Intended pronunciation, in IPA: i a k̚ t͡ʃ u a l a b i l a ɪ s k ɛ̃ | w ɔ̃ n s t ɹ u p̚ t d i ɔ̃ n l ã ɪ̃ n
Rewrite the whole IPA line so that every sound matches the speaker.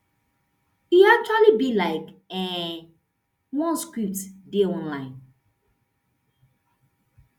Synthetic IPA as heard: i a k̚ t͡ʃ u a l i b i l a ɪ k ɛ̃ | w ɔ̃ n s k ɹ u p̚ t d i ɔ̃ n l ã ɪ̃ n